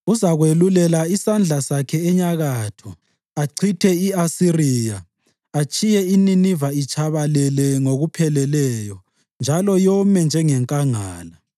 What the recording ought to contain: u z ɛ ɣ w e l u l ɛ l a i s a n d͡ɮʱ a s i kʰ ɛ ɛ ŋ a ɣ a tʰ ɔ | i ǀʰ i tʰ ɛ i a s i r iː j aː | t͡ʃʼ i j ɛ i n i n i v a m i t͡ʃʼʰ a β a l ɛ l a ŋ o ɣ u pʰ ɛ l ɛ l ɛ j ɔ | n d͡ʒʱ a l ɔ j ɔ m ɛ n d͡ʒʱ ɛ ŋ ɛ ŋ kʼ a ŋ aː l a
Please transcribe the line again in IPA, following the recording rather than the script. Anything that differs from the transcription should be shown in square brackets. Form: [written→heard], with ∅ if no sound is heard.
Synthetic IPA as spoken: u z [ɛ→a] ɣ w e l u l ɛ l a i s a n d͡ɮʱ a s [i→a] kʰ ɛ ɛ [ŋ→ɲ] a ɣ a tʰ ɔ | [i→a] ǀʰ i tʰ ɛ i a s i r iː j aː | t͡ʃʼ i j ɛ i n i n i v a [m→∅] i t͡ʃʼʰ a β a l ɛ l [a→ɛ] ŋ o ɣ u pʰ ɛ l ɛ l ɛ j ɔ | n d͡ʒʱ a l ɔ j ɔ m ɛ n d͡ʒʱ ɛ ŋ ɛ ŋ kʼ a ŋ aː l a

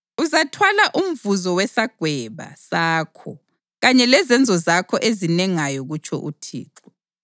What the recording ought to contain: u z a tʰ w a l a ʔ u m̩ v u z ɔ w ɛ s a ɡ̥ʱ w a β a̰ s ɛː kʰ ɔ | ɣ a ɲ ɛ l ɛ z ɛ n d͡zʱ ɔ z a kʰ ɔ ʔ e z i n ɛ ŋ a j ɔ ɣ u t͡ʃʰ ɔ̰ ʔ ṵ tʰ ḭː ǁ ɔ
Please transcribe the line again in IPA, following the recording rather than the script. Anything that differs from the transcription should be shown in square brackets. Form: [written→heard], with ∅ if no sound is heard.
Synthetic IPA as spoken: u z a tʰ w a l a ʔ u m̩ v u z ɔ w ɛ s a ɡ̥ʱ w [a→ɛ] β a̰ s [ɛː→aː] kʰ ɔ | ɣ a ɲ ɛ l ɛ z ɛ n d͡zʱ ɔ z a kʰ ɔ ʔ e z i n ɛ ŋ a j ɔ ɣ u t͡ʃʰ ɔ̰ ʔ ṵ tʰ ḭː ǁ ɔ

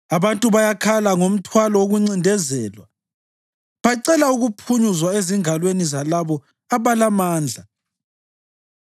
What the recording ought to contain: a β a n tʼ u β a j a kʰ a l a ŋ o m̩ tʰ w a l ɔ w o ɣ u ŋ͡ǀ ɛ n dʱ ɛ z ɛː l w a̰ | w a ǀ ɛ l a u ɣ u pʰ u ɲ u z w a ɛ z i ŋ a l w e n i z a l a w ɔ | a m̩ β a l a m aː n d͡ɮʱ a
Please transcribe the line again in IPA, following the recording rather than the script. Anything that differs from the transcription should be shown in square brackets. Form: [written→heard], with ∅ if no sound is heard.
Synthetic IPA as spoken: a β a n tʼ u β a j a kʰ a l a ŋ o m̩ tʰ w a l ɔ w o ɣ u ŋ͡ǀ [ɛ→i] n dʱ ɛ z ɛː l w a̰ | [w→β] a ǀ ɛ l a u ɣ u pʰ u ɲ u z w a [ɛ→e] z i ŋ a l w e n i z a l a [w→β] ɔ | a [m̩→∅] β a l a m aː n d͡ɮʱ a

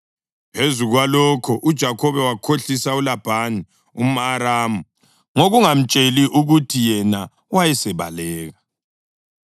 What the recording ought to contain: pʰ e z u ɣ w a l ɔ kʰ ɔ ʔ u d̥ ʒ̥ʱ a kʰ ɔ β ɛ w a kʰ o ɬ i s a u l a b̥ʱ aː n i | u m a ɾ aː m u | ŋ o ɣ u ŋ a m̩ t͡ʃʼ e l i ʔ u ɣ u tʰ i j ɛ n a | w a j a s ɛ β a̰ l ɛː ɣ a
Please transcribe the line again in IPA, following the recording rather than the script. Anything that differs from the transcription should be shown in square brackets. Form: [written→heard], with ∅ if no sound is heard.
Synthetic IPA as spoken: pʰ e z u ɣ w a l ɔ kʰ ɔ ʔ u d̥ ʒ̥ʱ a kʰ ɔ β ɛ w a kʰ o ɬ i s a u l a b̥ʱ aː n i | u m a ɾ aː m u | ŋ o ɣ u ŋ a m̩ t͡ʃʼ e l i ʔ u ɣ u tʰ i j ɛ n a | w a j [a→ɛ] s ɛ β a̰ l ɛː ɣ a

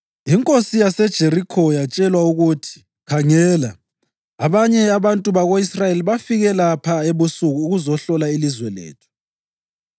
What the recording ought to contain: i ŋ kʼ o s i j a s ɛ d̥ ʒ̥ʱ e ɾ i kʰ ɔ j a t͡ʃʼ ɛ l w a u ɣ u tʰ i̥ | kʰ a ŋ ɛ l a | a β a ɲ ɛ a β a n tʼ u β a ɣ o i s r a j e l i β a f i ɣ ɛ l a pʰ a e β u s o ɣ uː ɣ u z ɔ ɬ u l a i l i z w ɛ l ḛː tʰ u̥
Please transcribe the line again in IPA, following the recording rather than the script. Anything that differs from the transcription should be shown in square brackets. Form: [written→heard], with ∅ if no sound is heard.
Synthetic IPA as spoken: i ŋ kʼ o s i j a s ɛ d̥ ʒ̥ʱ e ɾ i kʰ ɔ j a t͡ʃʼ ɛ l w a u ɣ u tʰ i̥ | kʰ a ŋ ɛ l a | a β a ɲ ɛ a β a n tʼ u β a ɣ o i s r a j e l i β a f i ɣ ɛ l a pʰ a e β u s [o→u] ɣ uː ɣ u z ɔ ɬ [u→ɔ] l a i l i z w ɛ l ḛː tʰ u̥

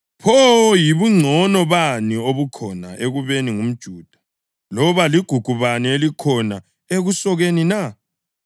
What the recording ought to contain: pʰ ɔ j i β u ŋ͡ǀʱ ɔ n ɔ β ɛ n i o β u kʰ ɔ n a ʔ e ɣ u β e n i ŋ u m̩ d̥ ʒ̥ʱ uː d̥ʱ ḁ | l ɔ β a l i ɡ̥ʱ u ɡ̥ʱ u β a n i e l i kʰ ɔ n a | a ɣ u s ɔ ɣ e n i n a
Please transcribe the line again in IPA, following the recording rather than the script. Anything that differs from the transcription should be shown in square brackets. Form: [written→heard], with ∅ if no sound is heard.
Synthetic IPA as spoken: pʰ ɔ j i β u ŋ͡ǀʱ ɔ n ɔ β [ɛ→a] n i o β u kʰ ɔ n a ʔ e ɣ u β e n i ŋ u m̩ d̥ ʒ̥ʱ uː d̥ʱ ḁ | l ɔ β a l i ɡ̥ʱ u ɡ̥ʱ u β a n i e l i kʰ ɔ n a | [a→e] ɣ u s ɔ ɣ e n i n a

